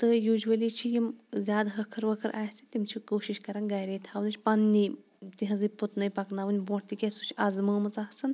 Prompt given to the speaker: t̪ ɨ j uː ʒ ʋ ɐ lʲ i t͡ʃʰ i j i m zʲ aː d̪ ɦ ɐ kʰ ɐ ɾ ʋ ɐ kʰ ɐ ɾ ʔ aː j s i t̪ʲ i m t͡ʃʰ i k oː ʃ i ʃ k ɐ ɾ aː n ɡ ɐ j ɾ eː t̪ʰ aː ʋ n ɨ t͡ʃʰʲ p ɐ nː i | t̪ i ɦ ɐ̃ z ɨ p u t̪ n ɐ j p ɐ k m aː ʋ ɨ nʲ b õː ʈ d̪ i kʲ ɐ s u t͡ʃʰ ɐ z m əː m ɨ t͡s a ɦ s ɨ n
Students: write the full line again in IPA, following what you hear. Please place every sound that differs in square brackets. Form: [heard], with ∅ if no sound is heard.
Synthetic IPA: t̪ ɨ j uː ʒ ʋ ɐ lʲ i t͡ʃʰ i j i m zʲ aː d̪ ɦ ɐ kʰ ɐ ɾ ʋ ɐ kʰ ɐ ɾ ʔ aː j s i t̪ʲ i m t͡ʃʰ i k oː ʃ i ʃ k ɐ ɾ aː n ɡ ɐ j ɾ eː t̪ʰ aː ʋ n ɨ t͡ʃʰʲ p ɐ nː i | t̪ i ɦ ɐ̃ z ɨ p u t̪ n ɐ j p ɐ k [n] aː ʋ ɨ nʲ b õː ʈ [t̪] i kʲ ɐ s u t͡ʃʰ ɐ z m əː m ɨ t͡s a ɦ s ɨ n